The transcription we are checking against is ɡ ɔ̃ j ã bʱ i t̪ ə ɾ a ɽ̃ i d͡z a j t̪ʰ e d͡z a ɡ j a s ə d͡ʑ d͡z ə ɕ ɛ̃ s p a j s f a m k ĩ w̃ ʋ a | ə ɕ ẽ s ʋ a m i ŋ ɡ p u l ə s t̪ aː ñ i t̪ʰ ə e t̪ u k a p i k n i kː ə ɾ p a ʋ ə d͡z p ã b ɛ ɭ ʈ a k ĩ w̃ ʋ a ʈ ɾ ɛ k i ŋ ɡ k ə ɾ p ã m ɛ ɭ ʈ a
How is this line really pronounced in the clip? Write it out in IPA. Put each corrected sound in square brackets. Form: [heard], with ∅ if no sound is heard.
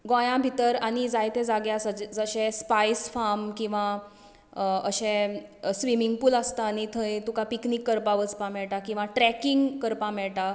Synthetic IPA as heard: ɡ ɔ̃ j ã bʱ i t̪ ə ɾ a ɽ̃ i d͡z a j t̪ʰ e d͡z a ɡ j a s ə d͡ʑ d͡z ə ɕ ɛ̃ s p a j s f a m k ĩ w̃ ʋ a | ə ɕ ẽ s ʋ [i] m i ŋ ɡ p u l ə s t̪ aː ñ i t̪ʰ ə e t̪ u k a p i k n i kː ə ɾ p a ʋ ə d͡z p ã [m] ɛ ɭ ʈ a k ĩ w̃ ʋ a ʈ ɾ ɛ k i ŋ ɡ k ə ɾ p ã m ɛ ɭ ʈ a

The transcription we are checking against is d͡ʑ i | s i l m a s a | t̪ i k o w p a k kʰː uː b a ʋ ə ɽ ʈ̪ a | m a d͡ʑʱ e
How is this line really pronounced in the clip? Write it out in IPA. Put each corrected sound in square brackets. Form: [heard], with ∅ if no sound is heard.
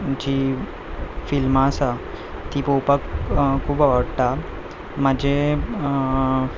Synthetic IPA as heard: d͡ʑ i | [f] i l m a s a | t̪ i [p] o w p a k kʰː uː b a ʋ ə ɽ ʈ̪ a | m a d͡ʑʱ e

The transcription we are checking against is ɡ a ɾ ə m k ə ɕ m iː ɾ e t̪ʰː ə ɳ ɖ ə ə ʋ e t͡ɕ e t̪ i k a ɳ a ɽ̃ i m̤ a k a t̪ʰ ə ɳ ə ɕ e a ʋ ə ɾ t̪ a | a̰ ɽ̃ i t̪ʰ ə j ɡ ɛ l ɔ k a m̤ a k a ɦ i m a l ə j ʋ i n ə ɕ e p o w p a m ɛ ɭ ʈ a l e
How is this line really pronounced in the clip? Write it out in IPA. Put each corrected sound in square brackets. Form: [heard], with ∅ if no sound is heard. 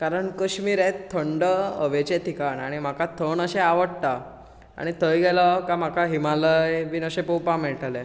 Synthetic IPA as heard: [k] a ɾ ə [ɳ] k ə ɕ m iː ɾ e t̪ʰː ə ɳ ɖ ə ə ʋ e t͡ɕ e t̪ i k a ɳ a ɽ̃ i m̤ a k a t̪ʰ ə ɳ ə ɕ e a ʋ ə [ɽ] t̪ a | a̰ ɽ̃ i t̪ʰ ə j ɡ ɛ l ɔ k a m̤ a k a ɦ i m a l ə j ʋ i n ə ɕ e p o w p a m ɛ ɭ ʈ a l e

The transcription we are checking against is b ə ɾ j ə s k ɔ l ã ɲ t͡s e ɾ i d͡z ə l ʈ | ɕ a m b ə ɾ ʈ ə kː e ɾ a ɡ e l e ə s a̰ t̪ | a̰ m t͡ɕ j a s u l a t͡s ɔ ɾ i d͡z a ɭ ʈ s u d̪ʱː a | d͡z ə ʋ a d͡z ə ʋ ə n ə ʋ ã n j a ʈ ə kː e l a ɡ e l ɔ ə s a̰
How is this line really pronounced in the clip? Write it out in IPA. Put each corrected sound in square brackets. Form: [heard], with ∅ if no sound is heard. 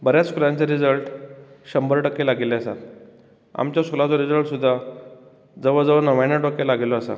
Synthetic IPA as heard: b ə ɾ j [a] s k [u] l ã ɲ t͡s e ɾ i d͡z ə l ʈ | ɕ [ə] m b ə ɾ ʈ ə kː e [l] a ɡ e l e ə s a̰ t̪ | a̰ m t͡ɕ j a s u l a t͡s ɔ ɾ i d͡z [ə] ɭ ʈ s u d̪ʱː a | d͡z ə ʋ [ə] d͡z ə ʋ ə n ə ʋ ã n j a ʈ ə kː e l a ɡ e l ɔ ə s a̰

